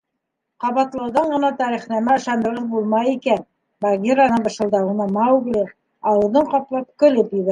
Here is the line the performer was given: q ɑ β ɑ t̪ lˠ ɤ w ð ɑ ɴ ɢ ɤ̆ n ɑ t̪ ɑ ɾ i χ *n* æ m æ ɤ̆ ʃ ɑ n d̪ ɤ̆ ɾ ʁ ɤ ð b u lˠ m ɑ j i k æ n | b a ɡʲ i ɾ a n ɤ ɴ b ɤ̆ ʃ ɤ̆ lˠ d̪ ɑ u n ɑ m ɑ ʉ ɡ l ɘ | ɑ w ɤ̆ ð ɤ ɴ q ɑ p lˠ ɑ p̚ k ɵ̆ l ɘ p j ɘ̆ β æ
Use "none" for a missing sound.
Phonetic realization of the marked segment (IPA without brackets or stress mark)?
n